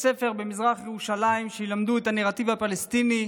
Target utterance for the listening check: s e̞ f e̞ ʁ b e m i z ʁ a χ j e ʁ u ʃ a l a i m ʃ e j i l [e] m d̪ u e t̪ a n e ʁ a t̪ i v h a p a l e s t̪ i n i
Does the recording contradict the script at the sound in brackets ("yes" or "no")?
yes